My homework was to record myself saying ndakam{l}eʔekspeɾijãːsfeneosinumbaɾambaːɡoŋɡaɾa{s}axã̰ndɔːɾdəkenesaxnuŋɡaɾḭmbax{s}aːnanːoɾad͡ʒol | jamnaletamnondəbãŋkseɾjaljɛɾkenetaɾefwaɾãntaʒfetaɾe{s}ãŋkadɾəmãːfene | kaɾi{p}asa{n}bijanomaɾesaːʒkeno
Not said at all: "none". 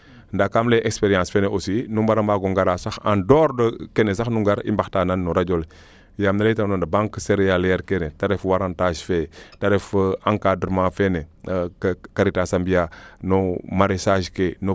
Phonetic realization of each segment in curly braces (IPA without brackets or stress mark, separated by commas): l, s, t, f, t, m